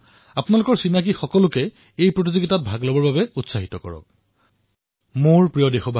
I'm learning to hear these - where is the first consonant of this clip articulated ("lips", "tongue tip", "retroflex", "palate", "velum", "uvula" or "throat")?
lips